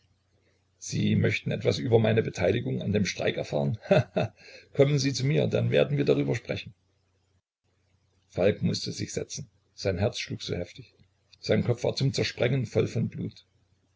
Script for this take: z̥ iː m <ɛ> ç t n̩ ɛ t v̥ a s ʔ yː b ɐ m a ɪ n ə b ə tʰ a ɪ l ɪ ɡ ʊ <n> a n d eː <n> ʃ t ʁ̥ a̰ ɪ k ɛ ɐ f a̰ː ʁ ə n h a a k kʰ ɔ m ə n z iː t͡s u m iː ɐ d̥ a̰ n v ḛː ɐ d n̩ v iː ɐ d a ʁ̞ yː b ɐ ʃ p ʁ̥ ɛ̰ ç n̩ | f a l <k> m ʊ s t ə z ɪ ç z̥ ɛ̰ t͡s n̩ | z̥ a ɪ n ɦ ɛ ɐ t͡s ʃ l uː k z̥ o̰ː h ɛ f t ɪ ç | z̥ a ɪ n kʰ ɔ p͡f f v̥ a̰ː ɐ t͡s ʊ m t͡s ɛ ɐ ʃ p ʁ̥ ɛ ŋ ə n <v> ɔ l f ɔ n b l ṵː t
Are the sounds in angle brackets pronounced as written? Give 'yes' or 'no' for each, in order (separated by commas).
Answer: no, no, no, yes, no